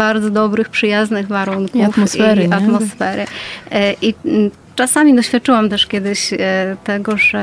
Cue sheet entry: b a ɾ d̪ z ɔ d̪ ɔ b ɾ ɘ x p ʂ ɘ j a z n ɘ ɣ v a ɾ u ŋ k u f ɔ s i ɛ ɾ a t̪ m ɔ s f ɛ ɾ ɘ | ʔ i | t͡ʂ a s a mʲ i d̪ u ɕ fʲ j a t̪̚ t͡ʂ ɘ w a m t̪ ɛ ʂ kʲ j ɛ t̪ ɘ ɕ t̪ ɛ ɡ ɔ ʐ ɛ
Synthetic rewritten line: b a ɾ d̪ z ɔ d̪ ɔ b ɾ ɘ x p ʂ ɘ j a z n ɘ ɣ v a ɾ u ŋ k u f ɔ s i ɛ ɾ a t̪ m ɔ s f ɛ ɾ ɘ | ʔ i | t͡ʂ a s a mʲ i d̪ ɔ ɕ fʲ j a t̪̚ t͡ʂ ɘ w a m t̪ ɛ ʂ kʲ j ɛ d̪ ɘ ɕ t̪ ɛ ɡ ɔ ʐ ɛ